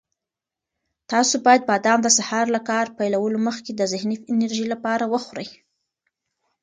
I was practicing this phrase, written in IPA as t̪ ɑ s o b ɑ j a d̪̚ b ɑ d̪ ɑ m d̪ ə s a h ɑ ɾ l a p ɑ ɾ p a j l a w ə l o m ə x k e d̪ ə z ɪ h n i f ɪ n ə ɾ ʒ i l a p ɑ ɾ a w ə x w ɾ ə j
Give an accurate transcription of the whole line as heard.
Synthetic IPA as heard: t̪ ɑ s o b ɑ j a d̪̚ b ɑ d̪ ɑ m d̪ ə s a h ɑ ɾ l a k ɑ ɾ p a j l a w ə l o m ə x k e d̪ ə z ɪ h n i f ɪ n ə ɾ ʒ i l a p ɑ ɾ a w ə x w ɾ ə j